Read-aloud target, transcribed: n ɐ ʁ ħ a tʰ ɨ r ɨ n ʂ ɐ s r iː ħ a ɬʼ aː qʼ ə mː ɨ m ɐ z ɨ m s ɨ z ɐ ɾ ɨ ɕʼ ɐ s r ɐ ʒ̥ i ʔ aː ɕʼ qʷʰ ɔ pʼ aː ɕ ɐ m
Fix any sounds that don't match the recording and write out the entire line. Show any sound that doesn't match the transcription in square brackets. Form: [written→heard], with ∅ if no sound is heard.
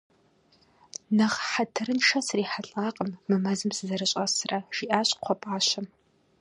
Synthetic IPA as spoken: n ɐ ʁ ħ a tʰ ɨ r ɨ n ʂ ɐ s r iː ħ a ɬʼ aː qʼ ə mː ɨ m ɐ z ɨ m s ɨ z ɐ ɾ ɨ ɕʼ ɐ s r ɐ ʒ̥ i ʔ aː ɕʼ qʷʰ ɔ pʼ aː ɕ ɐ m